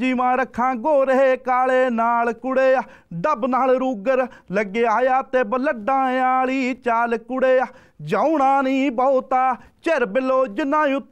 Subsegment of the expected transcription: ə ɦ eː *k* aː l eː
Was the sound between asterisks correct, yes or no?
yes